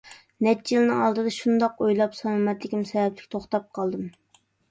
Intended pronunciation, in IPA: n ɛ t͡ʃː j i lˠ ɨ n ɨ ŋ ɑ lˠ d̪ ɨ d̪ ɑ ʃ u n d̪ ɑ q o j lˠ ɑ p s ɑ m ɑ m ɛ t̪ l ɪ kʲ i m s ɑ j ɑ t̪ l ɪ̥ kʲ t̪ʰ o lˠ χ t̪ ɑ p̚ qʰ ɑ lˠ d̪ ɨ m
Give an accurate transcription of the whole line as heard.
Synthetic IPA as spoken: n ɛ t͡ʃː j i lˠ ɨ n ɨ ŋ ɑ lˠ d̪ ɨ d̪ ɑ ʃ u n d̪ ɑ q o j lˠ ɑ p s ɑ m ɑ m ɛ t̪ l ɪ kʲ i m s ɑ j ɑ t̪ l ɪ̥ kʲ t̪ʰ o χ t̪ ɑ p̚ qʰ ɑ lˠ d̪ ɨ m